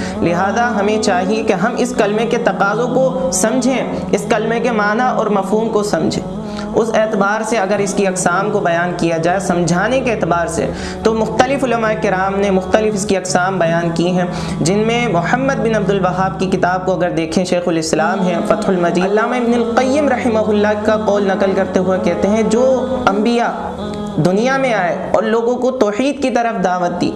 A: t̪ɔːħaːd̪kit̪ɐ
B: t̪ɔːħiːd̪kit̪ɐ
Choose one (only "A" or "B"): B